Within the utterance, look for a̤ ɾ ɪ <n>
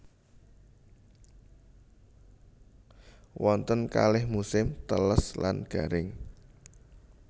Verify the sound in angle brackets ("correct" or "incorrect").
incorrect